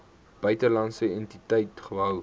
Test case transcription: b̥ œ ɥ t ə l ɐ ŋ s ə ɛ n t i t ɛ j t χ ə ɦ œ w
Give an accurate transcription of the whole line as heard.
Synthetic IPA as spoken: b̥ œ ɥ t ə l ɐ n s ə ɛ n t i t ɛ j t χ ə ɦ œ w